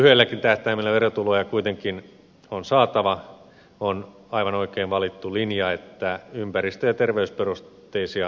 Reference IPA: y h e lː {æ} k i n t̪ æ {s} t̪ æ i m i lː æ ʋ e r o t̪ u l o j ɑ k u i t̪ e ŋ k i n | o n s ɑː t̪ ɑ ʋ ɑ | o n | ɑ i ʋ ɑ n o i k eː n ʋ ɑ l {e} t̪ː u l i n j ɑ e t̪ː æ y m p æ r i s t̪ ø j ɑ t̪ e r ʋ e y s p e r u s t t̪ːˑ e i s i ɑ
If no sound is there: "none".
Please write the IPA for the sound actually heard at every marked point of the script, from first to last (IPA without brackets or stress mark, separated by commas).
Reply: æ, h, i